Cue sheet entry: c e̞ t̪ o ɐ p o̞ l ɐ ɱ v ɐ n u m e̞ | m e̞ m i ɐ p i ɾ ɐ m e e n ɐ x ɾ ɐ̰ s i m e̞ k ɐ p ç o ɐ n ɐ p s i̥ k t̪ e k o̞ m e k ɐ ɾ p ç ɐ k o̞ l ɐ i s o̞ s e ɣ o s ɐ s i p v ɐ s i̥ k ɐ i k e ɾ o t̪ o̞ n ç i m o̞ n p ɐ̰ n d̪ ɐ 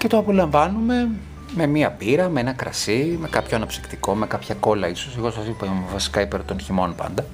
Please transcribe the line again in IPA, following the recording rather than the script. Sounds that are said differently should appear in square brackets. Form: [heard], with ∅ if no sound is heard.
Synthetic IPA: c e̞ t̪ o ɐ p o̞ l ɐ ɱ v ɐ n u m e̞ | m e̞ m i ɐ p i ɾ ɐ m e e n ɐ [k] ɾ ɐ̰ s i m e̞ k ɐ p ç o ɐ n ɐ p s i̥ k t̪ [i] k o̞ m e k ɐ [∅] p ç ɐ k o̞ l ɐ i s o̞ s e ɣ o s ɐ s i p v ɐ s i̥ k ɐ i [p] e ɾ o t̪ o̞ n ç i m o̞ n p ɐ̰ n d̪ ɐ